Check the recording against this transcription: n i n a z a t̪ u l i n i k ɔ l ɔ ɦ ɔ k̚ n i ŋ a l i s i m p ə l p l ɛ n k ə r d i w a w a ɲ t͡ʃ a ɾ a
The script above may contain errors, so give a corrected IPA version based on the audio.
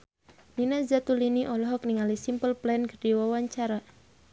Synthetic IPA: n i n a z a t̪ u l i n i ʔ ɔ l ɔ ɦ ɔ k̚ n i ŋ a l i s i m p ə l p l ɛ n k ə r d i w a w a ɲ t͡ʃ a ɾ a